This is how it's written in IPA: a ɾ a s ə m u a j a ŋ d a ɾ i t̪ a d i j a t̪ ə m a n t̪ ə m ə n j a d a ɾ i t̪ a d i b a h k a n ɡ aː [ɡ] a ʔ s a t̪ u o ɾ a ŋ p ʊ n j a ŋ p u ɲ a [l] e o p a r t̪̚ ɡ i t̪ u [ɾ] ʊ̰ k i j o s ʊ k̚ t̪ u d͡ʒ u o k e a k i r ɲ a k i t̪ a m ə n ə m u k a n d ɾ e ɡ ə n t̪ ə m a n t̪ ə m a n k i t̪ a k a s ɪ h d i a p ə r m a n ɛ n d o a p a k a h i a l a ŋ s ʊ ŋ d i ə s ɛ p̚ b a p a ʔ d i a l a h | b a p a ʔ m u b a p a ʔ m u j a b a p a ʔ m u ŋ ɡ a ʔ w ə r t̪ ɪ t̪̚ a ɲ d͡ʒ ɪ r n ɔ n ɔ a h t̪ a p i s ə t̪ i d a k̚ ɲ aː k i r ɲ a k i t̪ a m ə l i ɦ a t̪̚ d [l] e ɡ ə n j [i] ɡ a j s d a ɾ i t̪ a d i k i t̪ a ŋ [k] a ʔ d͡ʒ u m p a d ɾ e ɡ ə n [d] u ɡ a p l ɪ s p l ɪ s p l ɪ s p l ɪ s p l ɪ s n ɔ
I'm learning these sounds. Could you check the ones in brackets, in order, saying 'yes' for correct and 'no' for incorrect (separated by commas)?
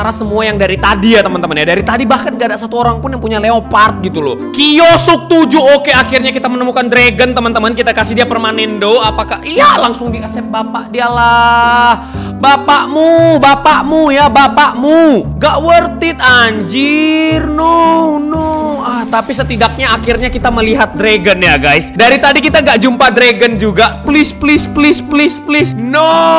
no, yes, no, no, no, no, no